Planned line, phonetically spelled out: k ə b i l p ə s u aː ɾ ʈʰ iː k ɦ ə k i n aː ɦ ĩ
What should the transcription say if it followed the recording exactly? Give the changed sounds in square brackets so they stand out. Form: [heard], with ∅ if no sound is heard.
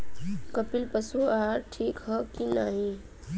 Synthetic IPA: k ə [p] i l p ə s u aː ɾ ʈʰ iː k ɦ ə k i n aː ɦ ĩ